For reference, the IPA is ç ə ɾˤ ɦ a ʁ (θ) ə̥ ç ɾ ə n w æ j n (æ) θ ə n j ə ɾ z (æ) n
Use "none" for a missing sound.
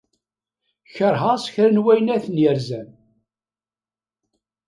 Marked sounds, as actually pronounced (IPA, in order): s, æ, æ

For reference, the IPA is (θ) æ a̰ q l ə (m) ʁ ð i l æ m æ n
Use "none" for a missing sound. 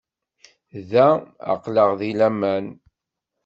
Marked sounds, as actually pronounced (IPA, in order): ð, none

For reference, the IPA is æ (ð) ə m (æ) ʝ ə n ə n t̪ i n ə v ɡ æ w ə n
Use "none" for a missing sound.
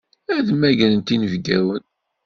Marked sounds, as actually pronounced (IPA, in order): ð, æ

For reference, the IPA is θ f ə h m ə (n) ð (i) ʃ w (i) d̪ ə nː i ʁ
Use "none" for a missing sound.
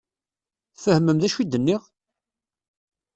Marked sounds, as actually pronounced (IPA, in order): m, æ, i

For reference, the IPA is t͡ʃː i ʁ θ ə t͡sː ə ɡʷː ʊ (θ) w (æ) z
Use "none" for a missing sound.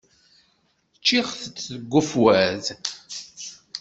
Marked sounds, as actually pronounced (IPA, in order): f, æ

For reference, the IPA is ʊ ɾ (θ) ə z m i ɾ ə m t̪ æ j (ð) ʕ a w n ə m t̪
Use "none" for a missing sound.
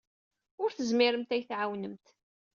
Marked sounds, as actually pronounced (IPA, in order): θ, θ

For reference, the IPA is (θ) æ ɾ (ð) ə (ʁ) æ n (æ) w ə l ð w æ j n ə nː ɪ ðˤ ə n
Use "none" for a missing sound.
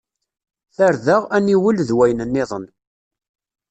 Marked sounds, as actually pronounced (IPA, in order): θ, ð, ʁ, i

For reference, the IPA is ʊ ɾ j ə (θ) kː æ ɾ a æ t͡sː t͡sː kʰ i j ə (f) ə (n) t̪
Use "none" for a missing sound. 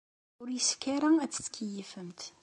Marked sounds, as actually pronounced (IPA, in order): s, f, m

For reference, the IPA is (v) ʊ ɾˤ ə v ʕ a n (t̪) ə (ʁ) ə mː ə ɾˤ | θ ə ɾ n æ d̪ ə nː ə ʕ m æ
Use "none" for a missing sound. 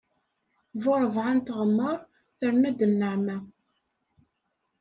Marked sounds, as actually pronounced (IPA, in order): v, t̪, ʁ

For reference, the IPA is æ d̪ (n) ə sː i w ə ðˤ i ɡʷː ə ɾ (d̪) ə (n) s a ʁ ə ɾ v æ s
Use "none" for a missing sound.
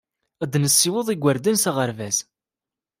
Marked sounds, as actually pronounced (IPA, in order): n, d̪, n

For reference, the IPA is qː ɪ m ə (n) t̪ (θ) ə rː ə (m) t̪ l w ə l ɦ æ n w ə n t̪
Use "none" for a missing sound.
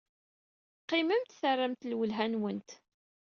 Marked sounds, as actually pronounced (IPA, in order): m, θ, m

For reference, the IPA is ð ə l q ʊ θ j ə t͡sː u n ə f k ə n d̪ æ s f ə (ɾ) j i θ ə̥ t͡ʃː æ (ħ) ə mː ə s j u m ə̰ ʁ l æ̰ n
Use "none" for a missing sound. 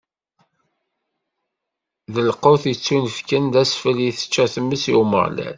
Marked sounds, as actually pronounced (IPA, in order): l, θ

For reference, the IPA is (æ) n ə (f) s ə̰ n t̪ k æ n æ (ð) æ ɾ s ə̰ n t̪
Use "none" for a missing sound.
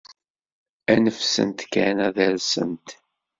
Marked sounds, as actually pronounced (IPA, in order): æ, f, ð

